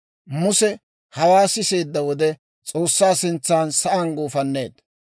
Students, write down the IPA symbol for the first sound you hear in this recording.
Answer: m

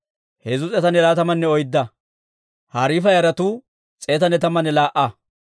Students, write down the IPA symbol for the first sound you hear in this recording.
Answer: h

